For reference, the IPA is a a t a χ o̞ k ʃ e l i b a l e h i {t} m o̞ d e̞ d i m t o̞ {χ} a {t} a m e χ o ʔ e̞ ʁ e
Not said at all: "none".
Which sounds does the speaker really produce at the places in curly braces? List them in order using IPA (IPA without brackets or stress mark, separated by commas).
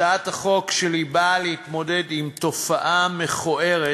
t, f, ʔ